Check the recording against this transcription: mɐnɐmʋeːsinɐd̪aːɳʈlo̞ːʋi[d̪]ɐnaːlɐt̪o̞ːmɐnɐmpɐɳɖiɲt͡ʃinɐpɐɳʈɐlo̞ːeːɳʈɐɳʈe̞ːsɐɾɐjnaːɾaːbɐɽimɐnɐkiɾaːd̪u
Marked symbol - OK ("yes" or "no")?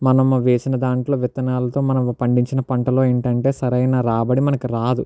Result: no